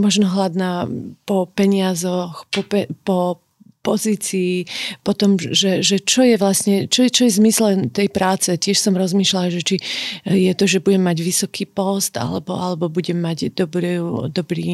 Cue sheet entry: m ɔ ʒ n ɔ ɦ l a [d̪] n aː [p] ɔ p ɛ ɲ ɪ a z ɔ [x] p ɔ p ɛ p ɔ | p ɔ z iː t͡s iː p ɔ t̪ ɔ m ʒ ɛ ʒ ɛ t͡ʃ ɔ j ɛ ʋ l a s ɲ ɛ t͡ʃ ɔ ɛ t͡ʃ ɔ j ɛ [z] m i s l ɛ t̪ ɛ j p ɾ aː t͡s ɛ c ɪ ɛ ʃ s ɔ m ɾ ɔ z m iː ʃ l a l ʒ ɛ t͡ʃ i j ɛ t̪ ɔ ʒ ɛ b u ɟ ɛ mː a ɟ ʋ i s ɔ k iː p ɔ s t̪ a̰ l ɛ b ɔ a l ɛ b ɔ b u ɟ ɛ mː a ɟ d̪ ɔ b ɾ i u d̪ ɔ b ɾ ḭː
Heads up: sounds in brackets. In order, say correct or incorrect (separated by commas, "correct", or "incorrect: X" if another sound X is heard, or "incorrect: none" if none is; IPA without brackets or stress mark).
correct, correct, correct, correct